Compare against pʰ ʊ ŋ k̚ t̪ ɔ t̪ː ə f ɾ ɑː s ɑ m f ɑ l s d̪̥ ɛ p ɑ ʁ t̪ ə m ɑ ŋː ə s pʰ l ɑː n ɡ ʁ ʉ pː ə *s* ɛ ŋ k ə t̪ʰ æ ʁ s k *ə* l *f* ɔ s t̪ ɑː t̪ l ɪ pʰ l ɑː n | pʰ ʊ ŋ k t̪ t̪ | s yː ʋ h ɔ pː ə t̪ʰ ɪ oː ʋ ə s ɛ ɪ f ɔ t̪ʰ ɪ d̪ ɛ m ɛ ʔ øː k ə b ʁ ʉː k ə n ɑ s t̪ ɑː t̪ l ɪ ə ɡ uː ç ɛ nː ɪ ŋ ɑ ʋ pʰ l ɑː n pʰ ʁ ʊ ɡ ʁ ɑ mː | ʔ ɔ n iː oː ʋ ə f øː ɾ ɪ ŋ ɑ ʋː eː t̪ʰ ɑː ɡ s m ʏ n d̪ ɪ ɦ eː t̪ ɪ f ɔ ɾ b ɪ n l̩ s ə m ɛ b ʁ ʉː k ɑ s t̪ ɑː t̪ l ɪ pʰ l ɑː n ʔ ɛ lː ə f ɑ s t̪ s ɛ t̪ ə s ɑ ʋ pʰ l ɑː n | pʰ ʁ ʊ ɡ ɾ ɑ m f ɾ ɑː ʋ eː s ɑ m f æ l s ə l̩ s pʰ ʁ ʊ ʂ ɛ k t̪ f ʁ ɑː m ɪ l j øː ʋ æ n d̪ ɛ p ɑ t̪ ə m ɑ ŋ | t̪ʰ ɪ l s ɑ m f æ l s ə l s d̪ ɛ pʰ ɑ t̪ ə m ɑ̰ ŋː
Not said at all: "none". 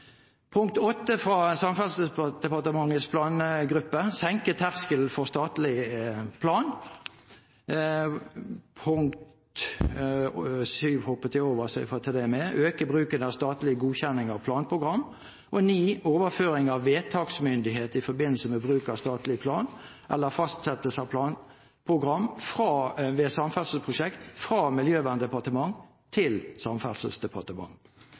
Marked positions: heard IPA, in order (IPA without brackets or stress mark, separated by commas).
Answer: s, ə, f